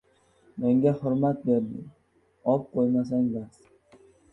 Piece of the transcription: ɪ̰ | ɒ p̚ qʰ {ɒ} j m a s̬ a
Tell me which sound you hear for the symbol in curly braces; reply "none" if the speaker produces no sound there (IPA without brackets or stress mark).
o